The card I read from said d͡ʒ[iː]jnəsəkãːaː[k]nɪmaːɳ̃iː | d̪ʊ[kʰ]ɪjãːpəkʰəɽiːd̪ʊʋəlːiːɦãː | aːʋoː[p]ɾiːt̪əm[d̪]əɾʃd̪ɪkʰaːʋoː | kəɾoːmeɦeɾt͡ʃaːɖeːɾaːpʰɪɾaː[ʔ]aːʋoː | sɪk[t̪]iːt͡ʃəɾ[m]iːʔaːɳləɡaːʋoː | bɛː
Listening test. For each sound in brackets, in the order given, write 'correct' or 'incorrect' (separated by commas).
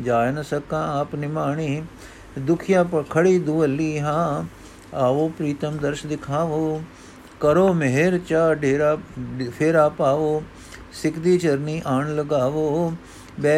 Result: incorrect, incorrect, correct, correct, correct, incorrect, incorrect, incorrect